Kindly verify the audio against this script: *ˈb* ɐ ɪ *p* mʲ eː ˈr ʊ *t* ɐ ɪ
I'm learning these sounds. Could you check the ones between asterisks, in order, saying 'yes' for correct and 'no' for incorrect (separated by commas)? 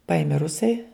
no, no, no